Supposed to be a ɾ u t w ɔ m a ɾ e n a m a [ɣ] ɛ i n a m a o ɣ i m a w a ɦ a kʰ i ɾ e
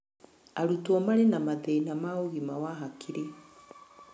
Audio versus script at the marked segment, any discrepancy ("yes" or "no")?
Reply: yes